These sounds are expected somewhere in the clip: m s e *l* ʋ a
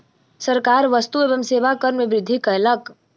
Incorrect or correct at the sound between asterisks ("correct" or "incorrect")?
incorrect